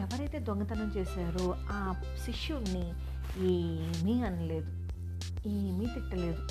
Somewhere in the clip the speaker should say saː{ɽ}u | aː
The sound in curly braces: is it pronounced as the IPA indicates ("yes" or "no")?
no